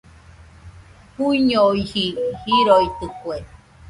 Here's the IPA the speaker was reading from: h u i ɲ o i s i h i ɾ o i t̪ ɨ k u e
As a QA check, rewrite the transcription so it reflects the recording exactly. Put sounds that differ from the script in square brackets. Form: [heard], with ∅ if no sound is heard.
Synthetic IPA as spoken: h u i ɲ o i [h] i h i ɾ o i t̪ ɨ k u e